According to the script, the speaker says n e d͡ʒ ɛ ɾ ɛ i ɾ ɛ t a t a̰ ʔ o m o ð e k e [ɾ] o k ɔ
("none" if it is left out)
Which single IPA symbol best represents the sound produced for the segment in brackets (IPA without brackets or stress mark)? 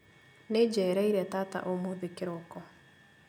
ɾ